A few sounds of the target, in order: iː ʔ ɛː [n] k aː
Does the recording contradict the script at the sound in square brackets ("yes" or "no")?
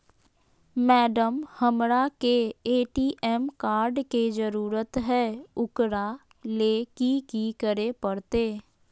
yes